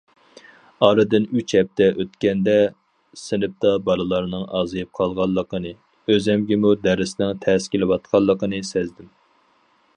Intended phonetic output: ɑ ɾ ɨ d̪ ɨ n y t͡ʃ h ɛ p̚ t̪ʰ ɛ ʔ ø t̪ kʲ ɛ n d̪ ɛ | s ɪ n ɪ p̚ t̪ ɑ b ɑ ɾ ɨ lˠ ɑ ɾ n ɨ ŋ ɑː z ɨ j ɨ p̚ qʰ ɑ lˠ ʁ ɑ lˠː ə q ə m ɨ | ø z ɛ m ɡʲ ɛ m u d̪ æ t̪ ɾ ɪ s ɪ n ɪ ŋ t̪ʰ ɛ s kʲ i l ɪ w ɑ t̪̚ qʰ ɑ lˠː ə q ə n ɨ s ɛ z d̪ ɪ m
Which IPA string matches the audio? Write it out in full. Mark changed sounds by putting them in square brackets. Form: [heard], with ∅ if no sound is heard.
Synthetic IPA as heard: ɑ ɾ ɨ d̪ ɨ n y t͡ʃ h ɛ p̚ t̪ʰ ɛ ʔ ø t̪ kʲ ɛ n d̪ ɛ | s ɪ n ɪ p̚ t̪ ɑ b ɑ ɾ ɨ lˠ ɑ ɾ n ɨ ŋ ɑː z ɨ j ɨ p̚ qʰ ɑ lˠ ʁ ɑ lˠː ə q ə [n] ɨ | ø z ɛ m ɡʲ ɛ m u d̪ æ [∅] ɾ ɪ s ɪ n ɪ ŋ t̪ʰ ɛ s kʲ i l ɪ w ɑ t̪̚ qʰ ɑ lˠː ə q ə n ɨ s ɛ z d̪ ɪ m